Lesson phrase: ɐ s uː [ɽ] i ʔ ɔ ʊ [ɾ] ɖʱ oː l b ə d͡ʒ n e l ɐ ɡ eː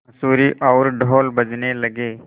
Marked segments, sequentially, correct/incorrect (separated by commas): incorrect, correct